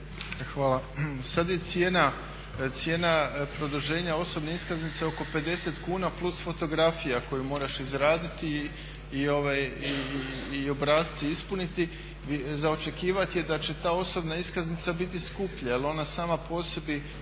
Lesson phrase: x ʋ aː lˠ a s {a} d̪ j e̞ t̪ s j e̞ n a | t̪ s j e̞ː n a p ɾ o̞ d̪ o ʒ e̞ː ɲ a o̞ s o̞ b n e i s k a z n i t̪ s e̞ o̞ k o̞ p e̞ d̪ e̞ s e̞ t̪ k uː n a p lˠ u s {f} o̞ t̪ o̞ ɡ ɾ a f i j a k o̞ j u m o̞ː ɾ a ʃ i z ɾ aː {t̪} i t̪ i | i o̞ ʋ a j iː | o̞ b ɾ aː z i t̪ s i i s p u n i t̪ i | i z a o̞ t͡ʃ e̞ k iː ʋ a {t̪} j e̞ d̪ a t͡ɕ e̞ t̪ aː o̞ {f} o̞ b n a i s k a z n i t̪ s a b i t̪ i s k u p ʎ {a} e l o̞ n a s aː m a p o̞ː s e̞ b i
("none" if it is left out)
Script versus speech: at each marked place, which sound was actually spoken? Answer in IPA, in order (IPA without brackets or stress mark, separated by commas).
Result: a, f, d̪, t̪, s, a